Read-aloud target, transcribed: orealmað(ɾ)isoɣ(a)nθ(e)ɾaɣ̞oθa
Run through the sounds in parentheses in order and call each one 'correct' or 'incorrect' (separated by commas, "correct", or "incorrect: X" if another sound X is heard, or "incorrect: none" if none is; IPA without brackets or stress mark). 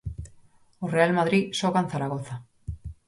correct, correct, incorrect: a